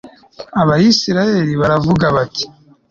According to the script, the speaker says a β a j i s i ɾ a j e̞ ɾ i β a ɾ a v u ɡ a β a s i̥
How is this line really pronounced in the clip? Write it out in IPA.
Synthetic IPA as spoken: a β a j i s i ɾ a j e̞ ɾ i β a ɾ a v u ɡ a β a t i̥